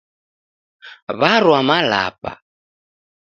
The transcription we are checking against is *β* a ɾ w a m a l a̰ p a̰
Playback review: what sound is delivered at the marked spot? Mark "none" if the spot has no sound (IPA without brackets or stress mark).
β